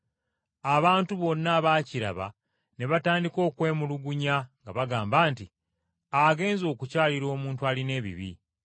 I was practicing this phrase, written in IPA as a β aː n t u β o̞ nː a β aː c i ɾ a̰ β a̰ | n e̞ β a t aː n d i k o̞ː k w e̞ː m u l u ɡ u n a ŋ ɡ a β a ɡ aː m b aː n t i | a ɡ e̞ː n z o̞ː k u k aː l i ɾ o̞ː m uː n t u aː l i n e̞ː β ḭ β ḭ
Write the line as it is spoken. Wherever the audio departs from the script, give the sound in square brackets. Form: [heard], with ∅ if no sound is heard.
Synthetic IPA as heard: a β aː n t u β o̞ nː a β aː c i ɾ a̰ β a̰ | n e̞ β a t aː n d i k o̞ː k w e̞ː m u l u ɡ u [ɲ] a ŋ ɡ a β a ɡ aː m b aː n t i | a ɡ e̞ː n z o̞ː k u [c] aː l i ɾ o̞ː m uː n t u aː l i n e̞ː β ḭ β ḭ

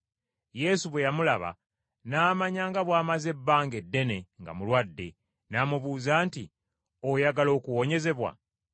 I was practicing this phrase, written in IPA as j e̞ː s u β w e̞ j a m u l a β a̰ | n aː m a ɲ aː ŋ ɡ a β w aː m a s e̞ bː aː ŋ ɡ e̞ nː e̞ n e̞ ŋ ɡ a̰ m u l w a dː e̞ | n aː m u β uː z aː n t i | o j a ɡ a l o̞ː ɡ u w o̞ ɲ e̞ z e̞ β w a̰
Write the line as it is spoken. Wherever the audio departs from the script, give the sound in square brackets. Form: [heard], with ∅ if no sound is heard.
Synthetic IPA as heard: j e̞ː s u β w e̞ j a m u l a β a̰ | n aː m a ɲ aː ŋ ɡ a β w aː m a [z] e̞ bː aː ŋ ɡ e̞ [dː] e̞ n e̞ ŋ ɡ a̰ m u l w a dː e̞ | n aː m u β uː z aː n t i | o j a ɡ a l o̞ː [k] u w o̞ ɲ e̞ z e̞ β w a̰

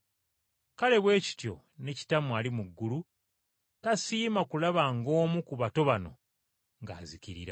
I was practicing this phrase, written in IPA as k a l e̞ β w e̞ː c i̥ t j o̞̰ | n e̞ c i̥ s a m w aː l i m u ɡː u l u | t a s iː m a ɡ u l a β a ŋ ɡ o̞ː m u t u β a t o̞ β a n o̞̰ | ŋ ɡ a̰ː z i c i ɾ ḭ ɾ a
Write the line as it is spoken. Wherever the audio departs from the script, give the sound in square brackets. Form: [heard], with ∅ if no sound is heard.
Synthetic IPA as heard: k a l e̞ β w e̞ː c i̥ t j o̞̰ | n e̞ c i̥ [t] a m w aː l i m u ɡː u l u | t a s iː m a [k] u l a β a ŋ ɡ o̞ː m u [k] u β a t o̞ β a n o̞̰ | ŋ ɡ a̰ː z i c i ɾ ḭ ɾ a

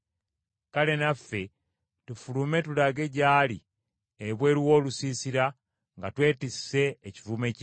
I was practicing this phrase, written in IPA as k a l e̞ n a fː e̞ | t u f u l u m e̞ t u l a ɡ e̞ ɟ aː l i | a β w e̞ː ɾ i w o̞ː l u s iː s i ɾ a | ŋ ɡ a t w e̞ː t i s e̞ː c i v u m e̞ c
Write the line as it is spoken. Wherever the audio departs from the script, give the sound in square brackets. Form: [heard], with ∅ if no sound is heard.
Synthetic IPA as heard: k a l e̞ n a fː e̞ | t u f u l u m e̞ t u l a ɡ e̞ ɟ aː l i | [e] β w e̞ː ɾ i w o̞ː l u s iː s i ɾ a | ŋ ɡ a t w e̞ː t i s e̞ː c i v u m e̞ c

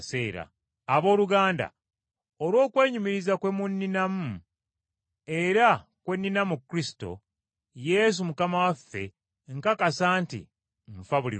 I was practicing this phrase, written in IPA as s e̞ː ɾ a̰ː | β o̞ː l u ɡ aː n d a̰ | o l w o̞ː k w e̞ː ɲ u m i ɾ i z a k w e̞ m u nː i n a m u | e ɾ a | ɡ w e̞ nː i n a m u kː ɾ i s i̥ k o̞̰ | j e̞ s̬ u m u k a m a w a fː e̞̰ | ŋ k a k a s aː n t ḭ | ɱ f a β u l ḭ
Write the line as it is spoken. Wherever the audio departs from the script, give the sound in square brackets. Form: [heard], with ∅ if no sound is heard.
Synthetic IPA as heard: s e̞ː ɾ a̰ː | β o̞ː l u ɡ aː n d a̰ | o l w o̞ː k w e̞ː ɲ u m i ɾ i z a k w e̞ m u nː i n a m u | e ɾ a | [k] w e̞ nː i n a m u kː ɾ i s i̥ [t] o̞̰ | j e̞ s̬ u m u k a m a w a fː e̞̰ | ŋ k a k a s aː n t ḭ | ɱ f a β u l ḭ

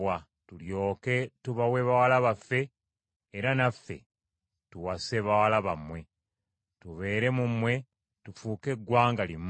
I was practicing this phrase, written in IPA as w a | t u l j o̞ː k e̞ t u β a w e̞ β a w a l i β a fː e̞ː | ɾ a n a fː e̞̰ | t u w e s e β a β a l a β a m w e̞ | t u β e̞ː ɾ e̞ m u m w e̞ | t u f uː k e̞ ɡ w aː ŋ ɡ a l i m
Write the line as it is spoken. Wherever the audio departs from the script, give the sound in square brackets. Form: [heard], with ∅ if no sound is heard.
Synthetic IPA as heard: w a | t u l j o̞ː k e̞ t u β a w e̞ β a w a l [a] β a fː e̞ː | ɾ a n a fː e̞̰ | t u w [a] s e β a [w] a l a β a m w e̞ | t u β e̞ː ɾ e̞ m u m w e̞ | t u f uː k e̞ ɡ w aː ŋ ɡ a l i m

